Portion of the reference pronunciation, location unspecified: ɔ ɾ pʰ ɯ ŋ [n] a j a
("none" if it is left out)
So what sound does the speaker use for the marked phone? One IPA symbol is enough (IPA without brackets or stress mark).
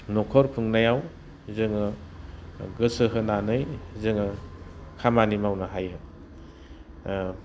n